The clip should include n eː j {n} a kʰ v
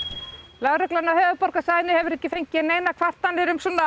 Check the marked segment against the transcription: correct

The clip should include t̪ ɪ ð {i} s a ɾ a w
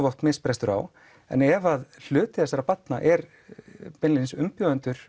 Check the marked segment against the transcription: incorrect: ɛ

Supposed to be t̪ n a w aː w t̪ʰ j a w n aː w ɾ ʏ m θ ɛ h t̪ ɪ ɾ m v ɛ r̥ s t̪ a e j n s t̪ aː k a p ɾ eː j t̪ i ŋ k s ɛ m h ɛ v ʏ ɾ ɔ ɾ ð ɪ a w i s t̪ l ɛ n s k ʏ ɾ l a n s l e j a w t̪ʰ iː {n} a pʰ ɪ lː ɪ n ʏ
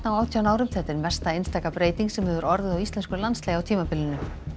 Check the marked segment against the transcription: incorrect: m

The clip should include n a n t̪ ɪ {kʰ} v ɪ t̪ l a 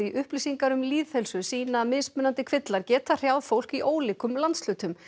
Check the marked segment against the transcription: correct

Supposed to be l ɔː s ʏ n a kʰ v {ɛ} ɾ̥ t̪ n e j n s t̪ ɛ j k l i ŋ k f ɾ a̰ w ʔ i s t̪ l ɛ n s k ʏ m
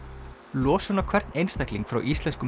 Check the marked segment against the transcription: correct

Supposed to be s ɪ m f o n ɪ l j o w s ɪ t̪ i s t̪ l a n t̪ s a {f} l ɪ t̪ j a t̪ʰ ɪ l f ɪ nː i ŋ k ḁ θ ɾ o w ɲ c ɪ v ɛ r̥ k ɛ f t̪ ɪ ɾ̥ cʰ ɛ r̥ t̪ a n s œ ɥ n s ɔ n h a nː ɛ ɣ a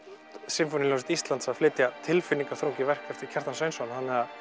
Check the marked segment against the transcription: correct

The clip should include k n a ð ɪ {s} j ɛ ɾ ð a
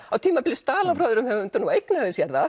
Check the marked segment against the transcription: correct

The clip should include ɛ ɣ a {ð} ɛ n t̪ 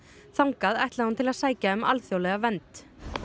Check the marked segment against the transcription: incorrect: v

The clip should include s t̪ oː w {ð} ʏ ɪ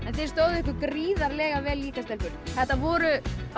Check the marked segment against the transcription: correct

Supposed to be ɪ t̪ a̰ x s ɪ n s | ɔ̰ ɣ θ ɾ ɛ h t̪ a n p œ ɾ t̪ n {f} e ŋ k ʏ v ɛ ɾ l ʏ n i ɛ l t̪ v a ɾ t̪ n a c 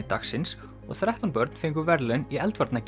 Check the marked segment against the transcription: correct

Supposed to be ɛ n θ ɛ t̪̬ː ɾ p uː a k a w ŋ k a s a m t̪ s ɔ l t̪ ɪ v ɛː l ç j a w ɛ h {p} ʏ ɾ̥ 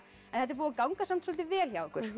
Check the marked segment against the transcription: incorrect: k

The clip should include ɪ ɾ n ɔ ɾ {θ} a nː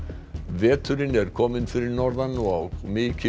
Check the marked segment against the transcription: incorrect: ð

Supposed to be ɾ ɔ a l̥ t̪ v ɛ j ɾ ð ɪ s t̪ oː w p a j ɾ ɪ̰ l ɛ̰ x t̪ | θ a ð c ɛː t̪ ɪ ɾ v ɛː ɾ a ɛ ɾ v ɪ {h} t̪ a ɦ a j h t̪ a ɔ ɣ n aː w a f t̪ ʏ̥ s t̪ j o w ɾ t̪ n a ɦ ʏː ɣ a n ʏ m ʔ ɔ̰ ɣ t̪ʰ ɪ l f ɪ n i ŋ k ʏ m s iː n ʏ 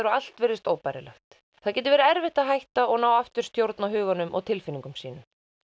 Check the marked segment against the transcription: correct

